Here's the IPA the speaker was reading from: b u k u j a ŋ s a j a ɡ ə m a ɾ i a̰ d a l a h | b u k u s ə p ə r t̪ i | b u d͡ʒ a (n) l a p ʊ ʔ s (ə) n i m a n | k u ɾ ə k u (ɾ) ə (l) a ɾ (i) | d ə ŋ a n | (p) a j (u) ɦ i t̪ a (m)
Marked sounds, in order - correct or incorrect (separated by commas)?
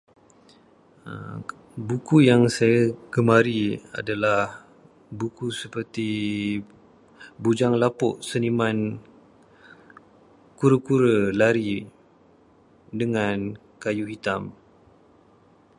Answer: incorrect, correct, correct, correct, correct, incorrect, correct, correct